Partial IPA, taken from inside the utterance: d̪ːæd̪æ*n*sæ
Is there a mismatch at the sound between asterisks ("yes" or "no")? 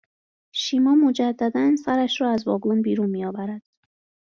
no